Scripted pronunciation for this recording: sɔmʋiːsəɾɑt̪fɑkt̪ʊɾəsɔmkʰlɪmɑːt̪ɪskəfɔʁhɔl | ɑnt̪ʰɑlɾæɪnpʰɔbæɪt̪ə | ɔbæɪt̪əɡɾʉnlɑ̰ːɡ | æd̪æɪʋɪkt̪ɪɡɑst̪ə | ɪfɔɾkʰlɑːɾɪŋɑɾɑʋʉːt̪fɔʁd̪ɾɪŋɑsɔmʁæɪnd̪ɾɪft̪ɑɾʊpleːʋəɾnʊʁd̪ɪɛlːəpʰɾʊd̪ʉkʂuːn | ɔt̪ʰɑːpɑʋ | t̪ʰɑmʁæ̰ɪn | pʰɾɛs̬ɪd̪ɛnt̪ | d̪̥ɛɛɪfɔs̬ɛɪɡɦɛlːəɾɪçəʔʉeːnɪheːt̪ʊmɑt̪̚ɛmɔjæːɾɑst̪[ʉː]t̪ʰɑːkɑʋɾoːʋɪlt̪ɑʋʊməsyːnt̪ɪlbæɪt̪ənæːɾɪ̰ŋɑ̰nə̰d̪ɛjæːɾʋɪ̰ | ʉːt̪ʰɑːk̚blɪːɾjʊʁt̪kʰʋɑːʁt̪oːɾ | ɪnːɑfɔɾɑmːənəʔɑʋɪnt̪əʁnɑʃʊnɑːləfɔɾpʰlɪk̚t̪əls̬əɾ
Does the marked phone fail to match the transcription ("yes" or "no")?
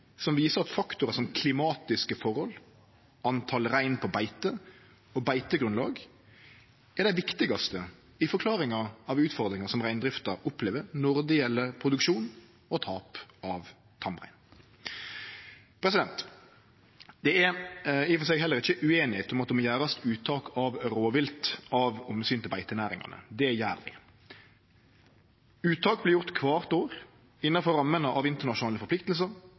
no